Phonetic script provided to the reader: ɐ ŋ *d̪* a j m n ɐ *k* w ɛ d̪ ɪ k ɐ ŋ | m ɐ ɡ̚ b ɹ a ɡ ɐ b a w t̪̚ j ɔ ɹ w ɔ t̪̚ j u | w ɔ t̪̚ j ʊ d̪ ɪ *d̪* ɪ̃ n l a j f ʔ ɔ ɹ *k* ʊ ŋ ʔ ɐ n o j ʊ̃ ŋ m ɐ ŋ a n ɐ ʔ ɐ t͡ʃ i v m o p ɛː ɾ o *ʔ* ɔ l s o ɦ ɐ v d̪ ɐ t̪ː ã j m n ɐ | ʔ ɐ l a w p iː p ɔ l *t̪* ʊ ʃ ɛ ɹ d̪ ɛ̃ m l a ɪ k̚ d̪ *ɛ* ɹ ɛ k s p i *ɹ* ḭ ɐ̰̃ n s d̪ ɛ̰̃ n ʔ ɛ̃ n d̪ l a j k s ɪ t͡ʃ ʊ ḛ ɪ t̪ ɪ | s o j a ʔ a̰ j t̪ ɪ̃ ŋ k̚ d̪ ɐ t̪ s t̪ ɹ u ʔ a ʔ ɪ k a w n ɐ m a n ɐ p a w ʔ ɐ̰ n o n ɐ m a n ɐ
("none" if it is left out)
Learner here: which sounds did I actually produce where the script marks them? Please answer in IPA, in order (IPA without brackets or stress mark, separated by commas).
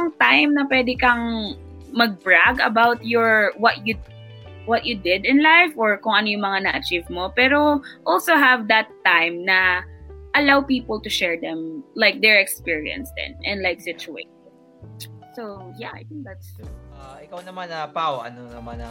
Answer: t̪, p, d̪, k, ʔ, t̪, ɛ, ɹ